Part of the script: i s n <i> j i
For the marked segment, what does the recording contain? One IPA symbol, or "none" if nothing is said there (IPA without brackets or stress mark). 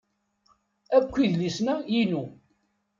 æ